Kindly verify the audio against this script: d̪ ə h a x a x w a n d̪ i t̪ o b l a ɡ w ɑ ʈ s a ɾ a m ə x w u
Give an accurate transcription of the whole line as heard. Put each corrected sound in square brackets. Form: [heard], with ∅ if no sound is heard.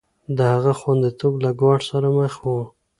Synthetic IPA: d̪ ə h a [ɣ] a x w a n d̪ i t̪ o b l a ɡ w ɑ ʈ s a ɾ a m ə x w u